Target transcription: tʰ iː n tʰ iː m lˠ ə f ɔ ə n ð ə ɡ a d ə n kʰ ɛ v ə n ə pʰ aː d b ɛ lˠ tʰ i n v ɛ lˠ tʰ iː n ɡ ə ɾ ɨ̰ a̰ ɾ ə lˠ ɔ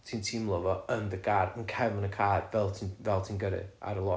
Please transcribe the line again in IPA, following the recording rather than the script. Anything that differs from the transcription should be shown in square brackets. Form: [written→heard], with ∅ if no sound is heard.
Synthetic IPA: tʰ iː n tʰ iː m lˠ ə [f→v] ɔ ə n ð ə ɡ a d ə n kʰ ɛ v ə n ə [pʰ→kʰ] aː d [b→v] ɛ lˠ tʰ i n v ɛ lˠ tʰ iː n ɡ ə ɾ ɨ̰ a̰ ɾ ə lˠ ɔ